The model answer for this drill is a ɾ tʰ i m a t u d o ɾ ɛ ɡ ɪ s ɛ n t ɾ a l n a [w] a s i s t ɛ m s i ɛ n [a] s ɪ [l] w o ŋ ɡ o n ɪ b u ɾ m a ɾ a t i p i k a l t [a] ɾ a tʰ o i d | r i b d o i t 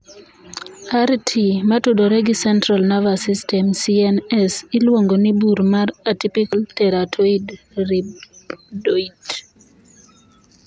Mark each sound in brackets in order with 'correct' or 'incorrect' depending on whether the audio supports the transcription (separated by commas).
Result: incorrect, incorrect, correct, incorrect